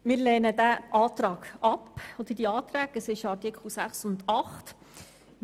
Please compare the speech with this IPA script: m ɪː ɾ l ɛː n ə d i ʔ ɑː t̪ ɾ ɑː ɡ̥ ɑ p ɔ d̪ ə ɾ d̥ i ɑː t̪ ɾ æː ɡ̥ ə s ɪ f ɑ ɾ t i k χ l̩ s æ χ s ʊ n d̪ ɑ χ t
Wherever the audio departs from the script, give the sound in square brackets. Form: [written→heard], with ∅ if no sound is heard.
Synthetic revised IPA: m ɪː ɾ l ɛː n ə d [i→æ] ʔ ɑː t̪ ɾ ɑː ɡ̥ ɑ p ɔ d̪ ə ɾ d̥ i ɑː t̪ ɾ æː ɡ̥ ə s ɪ [f→ʃ] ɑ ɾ t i k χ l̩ s æ χ s ʊ n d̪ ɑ χ t